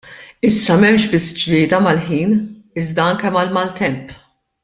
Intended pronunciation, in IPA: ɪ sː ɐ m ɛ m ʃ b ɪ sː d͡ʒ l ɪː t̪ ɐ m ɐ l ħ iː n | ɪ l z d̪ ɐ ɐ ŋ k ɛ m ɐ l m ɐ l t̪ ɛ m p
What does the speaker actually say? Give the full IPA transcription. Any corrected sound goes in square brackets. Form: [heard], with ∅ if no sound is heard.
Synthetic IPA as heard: ɪ sː ɐ m ɛ m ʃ b ɪ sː d͡ʒ l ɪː [d̪] ɐ m ɐ l ħ iː n | ɪ [∅] z d̪ ɐ ɐ ŋ k ɛ m ɐ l m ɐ l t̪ ɛ m p